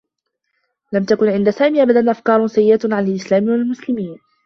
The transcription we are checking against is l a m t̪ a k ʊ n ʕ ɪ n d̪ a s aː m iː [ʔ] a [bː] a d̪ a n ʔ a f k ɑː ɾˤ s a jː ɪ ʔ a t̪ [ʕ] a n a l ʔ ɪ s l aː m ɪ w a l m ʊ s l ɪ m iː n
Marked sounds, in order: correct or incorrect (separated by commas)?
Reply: correct, incorrect, correct